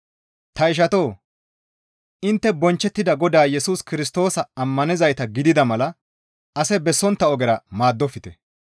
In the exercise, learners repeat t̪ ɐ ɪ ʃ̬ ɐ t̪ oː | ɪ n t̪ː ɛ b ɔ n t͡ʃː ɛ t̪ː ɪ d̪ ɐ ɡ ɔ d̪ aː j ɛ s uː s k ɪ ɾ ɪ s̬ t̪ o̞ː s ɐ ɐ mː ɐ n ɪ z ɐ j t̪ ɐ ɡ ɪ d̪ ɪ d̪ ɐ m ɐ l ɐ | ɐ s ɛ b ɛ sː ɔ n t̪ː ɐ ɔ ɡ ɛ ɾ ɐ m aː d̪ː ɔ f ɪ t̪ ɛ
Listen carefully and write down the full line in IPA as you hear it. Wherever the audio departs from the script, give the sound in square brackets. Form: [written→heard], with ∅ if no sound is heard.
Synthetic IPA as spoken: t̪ ɐ ɪ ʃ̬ ɐ t̪ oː | ɪ n t̪ː ɛ b ɔ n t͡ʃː ɛ t̪ː ɪ d̪ ɐ ɡ ɔ d̪ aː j ɛ s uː s k ɪ ɾ ɪ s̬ t̪ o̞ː s ɐ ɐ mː ɐ n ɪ z ɐ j t̪ ɐ ɡ ɪ d̪ ɪ d̪ ɐ m ɐ l ɐ | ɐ s ɛ b ɛ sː ɔ n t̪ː ɐ ɔ ɡ ɛ ɾ ɐ m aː d̪ː ɔ f ɪ t̪ ɛ